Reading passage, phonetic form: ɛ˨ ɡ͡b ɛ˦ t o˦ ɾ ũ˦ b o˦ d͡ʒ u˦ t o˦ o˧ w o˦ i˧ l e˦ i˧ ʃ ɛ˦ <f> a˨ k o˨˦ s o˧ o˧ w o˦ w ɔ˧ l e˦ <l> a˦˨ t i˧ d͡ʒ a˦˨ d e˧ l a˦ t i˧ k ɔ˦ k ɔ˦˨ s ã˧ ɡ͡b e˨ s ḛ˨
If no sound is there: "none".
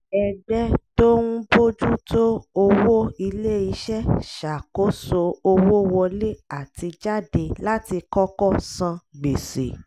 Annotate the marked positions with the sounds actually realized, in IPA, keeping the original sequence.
ʃ, none

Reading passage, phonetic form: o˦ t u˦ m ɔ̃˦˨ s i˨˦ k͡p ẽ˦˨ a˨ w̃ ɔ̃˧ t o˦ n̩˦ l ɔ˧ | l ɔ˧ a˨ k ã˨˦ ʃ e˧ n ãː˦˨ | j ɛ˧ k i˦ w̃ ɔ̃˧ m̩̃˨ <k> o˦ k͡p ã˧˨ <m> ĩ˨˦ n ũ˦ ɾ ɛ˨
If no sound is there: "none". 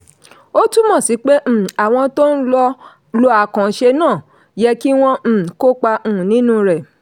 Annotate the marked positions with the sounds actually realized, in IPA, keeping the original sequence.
k, n

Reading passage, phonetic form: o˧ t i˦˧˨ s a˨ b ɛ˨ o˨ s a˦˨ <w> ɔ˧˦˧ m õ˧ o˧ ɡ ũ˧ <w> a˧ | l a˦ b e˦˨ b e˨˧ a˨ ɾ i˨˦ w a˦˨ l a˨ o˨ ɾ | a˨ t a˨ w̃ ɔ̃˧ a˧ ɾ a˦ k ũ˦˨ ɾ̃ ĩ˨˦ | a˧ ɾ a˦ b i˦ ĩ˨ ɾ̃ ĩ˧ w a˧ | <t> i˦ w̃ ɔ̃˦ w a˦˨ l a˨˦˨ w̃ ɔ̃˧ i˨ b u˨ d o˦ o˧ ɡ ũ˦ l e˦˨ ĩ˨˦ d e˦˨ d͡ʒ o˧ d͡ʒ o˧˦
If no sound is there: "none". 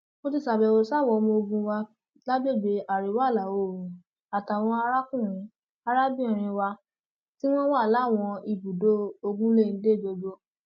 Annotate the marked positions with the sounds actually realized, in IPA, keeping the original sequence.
w, w, t

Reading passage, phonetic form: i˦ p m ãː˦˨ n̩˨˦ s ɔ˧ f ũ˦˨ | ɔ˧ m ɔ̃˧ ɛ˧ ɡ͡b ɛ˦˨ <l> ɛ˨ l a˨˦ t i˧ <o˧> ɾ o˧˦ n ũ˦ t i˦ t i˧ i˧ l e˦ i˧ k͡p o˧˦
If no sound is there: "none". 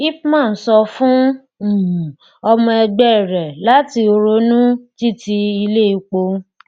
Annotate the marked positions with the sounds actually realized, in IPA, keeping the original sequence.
ɾ, o˧

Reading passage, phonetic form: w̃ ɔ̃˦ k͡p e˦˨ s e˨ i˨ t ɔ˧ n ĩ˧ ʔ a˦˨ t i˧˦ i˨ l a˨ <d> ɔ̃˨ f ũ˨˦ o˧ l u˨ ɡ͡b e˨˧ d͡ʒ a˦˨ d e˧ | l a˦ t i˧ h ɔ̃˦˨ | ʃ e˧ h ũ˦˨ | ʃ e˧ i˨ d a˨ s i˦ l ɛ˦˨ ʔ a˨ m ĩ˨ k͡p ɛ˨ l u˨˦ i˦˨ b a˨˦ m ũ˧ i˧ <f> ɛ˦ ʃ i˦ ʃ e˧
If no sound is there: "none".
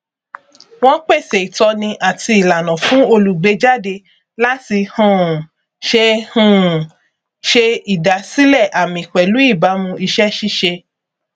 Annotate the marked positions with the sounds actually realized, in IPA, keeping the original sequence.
n, ʃ

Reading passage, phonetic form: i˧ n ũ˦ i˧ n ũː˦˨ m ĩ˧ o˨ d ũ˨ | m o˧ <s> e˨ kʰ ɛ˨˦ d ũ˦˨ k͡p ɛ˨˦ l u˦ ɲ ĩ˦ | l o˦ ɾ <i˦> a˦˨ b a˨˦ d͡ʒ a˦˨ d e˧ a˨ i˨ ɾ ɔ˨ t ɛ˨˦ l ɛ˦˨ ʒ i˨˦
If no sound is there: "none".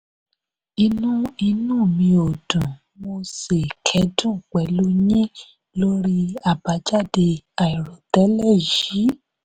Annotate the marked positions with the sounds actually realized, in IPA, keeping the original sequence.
s, i˦

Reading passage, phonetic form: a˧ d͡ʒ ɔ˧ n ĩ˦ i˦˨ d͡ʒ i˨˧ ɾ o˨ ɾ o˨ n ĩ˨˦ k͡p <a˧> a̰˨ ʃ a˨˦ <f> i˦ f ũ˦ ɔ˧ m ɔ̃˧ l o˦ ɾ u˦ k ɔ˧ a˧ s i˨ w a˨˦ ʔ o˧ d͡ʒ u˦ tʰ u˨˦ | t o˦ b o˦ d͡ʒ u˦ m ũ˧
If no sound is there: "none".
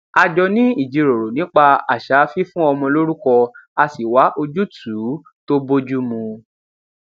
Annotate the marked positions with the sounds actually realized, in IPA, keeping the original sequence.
a˧, f

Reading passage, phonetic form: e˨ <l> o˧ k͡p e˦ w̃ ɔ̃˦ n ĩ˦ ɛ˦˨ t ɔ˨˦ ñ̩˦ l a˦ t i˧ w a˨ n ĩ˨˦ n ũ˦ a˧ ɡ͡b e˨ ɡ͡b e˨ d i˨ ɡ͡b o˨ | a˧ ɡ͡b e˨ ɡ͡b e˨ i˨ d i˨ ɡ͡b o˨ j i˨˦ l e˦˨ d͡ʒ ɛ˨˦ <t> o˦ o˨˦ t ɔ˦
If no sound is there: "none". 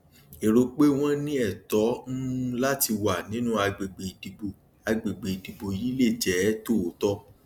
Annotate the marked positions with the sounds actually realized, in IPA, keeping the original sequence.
ɾ, t

